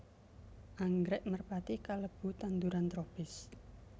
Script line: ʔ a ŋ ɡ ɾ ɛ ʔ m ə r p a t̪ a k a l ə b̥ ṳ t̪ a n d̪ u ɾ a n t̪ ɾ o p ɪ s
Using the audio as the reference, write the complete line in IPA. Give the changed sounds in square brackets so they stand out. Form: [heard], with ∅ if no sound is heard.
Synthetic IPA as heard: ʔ a ŋ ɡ ɾ ɛ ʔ m ə r p a t̪ [i] k a l ə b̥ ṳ t̪ a n d̪ u ɾ a n t̪ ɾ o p ɪ s